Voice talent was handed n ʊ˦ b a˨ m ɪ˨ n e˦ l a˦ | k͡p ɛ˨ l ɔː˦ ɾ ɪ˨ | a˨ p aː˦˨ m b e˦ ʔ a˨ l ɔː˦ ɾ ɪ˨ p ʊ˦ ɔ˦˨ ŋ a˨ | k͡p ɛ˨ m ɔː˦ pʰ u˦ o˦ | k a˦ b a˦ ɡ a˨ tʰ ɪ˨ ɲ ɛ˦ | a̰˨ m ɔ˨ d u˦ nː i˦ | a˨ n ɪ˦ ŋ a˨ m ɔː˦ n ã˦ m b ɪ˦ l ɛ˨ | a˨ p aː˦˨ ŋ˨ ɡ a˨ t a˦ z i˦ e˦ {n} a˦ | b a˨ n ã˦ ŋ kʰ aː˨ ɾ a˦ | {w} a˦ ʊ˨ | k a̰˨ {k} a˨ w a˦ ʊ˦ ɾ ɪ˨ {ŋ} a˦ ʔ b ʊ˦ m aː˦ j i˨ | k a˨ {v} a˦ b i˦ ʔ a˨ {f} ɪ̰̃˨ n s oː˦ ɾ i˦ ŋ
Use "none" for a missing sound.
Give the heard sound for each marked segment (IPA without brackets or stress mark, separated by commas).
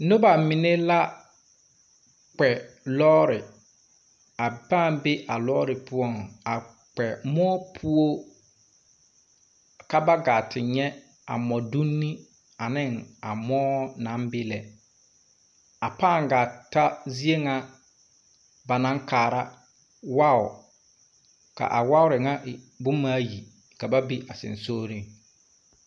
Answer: ŋ, w, ʔ, ŋ, b, s